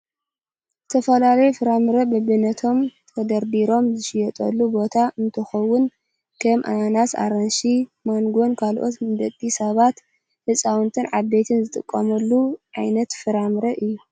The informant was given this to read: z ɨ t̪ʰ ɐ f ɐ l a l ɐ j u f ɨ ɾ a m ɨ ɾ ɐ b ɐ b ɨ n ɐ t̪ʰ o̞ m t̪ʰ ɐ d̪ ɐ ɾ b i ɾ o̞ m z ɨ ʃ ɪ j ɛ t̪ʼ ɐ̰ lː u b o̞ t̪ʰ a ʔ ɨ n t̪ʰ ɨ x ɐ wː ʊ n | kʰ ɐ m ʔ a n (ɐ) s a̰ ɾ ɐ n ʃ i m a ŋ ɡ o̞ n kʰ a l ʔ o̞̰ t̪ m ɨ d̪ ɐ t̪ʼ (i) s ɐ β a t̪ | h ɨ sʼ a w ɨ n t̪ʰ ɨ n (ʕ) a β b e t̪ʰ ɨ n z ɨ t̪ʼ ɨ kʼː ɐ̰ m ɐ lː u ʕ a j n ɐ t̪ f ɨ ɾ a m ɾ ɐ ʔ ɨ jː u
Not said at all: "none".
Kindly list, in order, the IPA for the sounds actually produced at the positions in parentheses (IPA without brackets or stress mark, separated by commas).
a, i, ʕ